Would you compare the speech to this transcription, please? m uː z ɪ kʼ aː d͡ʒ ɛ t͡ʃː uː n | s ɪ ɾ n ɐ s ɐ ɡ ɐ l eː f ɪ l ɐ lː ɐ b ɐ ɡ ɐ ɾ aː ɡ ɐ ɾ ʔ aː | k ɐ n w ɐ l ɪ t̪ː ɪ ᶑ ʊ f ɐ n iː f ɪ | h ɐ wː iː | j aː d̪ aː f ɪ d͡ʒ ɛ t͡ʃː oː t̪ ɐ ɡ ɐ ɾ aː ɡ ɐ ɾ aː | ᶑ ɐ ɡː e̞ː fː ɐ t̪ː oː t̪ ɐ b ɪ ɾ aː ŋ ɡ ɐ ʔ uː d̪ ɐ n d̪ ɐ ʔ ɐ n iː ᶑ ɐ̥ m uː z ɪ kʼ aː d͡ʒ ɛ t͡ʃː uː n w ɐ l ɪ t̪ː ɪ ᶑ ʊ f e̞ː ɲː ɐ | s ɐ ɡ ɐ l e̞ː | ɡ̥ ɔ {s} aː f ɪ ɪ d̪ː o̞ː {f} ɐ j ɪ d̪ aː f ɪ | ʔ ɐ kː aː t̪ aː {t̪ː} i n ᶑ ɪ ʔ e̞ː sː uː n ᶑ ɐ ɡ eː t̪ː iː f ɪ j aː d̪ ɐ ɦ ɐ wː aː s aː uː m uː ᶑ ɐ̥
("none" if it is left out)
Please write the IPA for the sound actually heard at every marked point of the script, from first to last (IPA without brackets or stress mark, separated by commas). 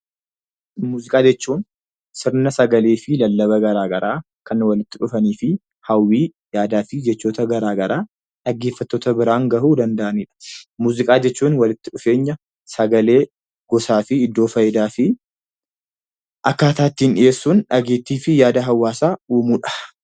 s, f, t̪ː